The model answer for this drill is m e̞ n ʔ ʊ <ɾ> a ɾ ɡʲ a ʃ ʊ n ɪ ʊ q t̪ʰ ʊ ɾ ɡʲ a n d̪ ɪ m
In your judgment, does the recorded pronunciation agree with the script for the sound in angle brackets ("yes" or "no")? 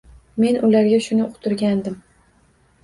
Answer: no